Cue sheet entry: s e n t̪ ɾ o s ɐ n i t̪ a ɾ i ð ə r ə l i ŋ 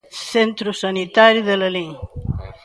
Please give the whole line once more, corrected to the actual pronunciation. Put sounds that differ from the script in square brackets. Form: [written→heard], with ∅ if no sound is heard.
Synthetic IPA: s e n t̪ ɾ [o→u] s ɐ n i t̪ a ɾ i ð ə [r→l] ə l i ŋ